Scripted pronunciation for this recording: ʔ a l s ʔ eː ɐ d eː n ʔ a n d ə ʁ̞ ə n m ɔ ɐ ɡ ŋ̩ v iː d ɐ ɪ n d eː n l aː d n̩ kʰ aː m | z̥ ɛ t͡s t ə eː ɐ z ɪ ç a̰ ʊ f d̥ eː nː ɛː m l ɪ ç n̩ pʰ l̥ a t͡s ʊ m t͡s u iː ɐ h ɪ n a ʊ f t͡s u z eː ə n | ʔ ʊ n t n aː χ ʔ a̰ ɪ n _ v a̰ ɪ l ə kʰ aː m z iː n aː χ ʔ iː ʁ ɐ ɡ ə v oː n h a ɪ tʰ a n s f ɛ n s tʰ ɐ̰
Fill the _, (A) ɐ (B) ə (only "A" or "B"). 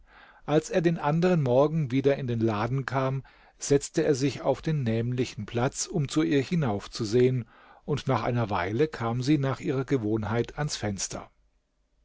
A